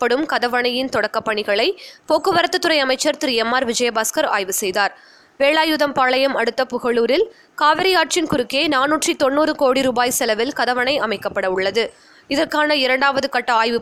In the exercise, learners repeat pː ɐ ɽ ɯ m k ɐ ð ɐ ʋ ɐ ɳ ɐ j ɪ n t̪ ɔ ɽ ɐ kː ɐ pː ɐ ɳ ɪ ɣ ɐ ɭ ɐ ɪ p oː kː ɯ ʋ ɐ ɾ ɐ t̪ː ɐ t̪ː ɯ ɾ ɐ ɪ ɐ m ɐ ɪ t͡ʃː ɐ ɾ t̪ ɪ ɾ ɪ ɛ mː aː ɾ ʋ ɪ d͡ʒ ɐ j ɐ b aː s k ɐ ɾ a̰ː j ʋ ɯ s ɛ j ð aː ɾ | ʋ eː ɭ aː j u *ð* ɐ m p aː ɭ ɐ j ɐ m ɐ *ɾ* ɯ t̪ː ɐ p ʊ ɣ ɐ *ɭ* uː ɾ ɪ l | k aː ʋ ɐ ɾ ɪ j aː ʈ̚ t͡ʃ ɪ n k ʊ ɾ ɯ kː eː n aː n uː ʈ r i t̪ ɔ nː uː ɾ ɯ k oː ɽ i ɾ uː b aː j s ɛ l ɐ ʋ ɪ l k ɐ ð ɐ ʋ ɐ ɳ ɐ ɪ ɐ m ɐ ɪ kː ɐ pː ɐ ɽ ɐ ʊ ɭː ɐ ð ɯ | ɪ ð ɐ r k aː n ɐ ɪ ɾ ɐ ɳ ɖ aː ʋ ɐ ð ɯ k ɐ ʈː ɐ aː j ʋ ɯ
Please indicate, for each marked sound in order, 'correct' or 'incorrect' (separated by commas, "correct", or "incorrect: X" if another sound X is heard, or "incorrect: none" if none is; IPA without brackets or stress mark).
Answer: correct, incorrect: ɽ, correct